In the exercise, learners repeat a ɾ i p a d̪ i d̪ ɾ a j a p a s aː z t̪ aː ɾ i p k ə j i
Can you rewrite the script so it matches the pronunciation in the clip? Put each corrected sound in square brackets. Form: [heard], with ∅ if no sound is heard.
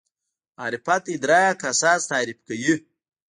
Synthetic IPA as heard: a ɾ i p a [t̪] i d̪ ɾ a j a [k] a s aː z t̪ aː ɾ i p k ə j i

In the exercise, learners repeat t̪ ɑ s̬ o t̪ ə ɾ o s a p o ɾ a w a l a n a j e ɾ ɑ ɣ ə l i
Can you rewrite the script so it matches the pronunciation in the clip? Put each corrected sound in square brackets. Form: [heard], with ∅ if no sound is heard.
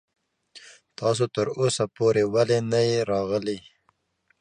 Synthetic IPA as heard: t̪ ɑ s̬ o t̪ ə ɾ o s a p o ɾ [e] w a l [e] n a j e ɾ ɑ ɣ ə l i

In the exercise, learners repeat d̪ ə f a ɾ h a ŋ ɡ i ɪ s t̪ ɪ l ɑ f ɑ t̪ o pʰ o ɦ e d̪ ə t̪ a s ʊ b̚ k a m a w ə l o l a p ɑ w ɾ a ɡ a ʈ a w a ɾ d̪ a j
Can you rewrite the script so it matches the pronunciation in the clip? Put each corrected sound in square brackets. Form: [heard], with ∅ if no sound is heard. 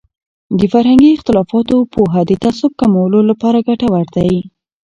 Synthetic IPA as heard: d̪ ə f a ɾ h a ŋ ɡ i ɪ [x] t̪ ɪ l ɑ f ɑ t̪ o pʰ o ɦ [a] d̪ ə t̪ a s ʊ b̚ k a m a w ə l o l a p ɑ [∅] ɾ a ɡ a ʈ a w a ɾ d̪ a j

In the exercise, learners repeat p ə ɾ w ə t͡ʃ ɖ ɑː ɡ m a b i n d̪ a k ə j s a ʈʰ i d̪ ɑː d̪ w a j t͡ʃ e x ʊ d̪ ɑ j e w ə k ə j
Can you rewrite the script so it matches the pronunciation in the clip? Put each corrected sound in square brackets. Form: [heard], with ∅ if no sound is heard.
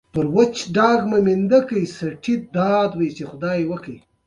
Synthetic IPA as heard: p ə ɾ w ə t͡ʃ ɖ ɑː ɡ m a [m] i n d̪ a k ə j s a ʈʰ i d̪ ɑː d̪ w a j t͡ʃ e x ʊ d̪ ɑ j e w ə k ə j

